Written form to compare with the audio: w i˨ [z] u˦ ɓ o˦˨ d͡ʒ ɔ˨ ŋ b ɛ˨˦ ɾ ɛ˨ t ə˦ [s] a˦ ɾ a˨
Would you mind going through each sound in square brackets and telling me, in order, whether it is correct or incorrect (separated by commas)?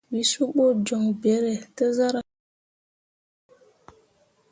incorrect, incorrect